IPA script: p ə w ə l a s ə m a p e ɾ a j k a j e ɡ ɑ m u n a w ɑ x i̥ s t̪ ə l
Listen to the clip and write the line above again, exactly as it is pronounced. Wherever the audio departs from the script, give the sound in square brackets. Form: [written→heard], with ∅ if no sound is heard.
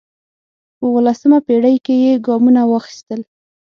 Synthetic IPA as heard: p ə w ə l a s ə m a p e [ɾ→ɽ] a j k [a→e] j e ɡ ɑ m u n a w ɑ x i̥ s t̪ ə l

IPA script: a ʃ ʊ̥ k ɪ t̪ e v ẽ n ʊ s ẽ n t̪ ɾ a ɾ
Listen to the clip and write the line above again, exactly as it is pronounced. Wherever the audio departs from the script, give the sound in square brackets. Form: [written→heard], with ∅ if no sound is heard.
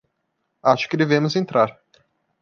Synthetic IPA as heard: a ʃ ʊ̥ k ɪ [t̪→d̪] e v ẽ [n→m] ʊ [s→z] ẽ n t̪ ɾ a ɾ

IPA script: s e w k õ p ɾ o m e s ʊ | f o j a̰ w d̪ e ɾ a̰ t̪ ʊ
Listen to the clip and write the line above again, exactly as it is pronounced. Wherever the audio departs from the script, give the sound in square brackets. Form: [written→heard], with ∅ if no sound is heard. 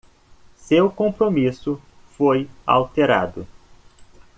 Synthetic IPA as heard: s e w k õ p ɾ o m [e→i] s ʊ | f o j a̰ w [d̪→t̪] e ɾ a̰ [t̪→d̪] ʊ

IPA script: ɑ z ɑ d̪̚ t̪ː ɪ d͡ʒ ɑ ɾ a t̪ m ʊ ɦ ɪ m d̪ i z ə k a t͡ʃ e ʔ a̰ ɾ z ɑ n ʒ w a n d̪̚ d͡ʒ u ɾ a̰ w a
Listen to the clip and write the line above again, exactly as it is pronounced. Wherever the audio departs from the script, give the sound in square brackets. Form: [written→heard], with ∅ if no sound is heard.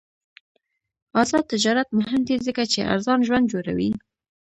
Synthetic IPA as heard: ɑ z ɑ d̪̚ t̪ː ɪ d͡ʒ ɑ ɾ a t̪ m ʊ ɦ ɪ m d̪ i z ə k a t͡ʃ e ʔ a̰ ɾ z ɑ n ʒ w a n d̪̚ d͡ʒ [u→o] ɾ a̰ w [a→i]

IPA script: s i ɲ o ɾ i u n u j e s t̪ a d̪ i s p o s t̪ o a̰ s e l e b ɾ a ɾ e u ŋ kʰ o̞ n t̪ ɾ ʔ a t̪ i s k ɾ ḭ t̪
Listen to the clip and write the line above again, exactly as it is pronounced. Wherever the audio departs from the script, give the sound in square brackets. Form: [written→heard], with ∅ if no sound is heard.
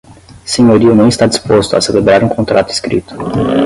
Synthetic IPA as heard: s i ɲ o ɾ i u n u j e s t̪ a d̪ i s p o s t̪ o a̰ s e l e b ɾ a ɾ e u ŋ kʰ o̞ n t̪ ɾ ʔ a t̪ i s k ɾ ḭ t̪

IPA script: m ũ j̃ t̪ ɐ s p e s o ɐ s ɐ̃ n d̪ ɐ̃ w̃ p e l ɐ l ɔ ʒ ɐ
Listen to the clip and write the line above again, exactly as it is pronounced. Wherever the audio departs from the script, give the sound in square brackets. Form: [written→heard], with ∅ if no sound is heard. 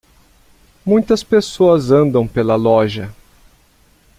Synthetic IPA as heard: m ũ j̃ t̪ ɐ s p e s o ɐ [s→z] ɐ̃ n d̪ ɐ̃ w̃ p e l ɐ l ɔ ʒ ɐ

